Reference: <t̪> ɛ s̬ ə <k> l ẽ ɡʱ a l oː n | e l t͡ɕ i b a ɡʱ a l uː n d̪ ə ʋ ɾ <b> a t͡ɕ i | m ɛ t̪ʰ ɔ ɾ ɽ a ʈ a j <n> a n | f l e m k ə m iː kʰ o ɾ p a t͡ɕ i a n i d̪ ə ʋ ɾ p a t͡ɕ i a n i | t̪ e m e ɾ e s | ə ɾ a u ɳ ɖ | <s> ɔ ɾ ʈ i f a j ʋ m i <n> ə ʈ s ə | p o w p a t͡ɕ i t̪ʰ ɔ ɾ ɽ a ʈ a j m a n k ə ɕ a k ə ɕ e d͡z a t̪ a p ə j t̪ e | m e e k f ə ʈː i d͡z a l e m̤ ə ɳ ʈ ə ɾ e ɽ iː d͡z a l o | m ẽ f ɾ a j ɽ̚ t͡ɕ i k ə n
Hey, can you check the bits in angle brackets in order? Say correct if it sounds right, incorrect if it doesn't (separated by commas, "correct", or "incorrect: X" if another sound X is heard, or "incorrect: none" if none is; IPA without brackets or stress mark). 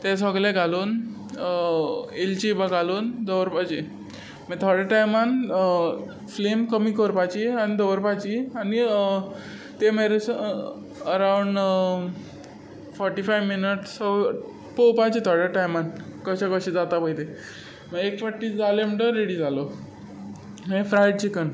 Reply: correct, incorrect: ɡ, incorrect: p, incorrect: m, incorrect: f, correct